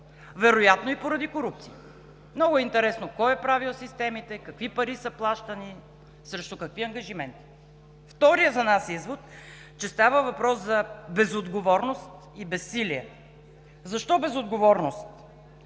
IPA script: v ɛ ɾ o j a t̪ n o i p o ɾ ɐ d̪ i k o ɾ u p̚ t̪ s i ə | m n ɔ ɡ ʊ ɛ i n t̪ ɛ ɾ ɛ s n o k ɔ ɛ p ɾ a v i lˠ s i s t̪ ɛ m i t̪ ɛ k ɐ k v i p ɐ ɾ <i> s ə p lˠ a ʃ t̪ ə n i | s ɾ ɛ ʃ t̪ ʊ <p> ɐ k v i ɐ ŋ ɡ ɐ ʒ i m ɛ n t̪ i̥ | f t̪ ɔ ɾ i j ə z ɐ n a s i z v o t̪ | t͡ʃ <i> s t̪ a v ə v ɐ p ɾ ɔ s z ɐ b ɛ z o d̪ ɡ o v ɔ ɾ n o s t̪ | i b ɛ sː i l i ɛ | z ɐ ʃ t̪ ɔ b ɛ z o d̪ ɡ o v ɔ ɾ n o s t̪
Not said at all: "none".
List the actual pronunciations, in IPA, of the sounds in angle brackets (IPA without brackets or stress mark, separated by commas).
i, k, ɛ